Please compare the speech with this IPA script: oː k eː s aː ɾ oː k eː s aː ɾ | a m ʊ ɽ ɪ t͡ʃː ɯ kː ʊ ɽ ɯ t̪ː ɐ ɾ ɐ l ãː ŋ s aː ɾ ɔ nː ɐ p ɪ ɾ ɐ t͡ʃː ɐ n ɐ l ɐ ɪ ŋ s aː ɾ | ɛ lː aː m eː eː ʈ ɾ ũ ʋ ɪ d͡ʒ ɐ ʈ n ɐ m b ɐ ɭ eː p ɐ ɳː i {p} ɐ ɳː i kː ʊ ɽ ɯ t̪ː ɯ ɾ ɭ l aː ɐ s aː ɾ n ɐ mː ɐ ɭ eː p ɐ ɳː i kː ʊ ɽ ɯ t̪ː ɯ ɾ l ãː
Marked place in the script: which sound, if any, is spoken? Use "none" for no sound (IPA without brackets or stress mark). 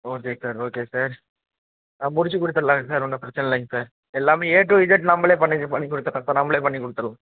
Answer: p